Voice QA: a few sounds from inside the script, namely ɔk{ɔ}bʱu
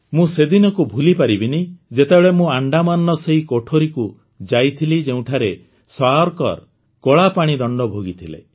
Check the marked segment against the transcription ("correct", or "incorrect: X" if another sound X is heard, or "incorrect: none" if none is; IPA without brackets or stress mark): incorrect: u